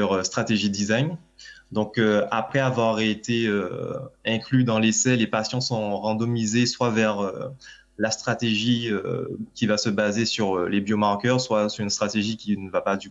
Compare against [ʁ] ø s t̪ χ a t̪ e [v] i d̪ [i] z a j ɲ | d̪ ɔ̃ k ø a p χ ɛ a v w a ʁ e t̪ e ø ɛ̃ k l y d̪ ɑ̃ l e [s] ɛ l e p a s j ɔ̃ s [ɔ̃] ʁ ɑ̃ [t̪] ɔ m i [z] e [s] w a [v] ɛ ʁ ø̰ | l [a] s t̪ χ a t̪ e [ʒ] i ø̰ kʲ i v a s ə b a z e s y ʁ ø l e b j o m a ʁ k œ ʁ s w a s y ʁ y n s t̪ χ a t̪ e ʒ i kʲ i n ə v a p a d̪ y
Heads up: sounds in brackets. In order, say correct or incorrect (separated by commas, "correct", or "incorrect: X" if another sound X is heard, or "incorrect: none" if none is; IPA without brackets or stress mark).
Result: correct, incorrect: ʒ, correct, correct, correct, incorrect: d̪, correct, correct, correct, correct, correct